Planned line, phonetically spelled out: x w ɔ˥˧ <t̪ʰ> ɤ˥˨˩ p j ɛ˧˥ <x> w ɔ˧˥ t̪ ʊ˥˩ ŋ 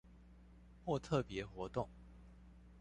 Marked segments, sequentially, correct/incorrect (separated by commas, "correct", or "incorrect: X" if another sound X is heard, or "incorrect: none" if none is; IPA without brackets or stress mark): correct, correct